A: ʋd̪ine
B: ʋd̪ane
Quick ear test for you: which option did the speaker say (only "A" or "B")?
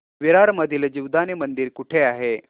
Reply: B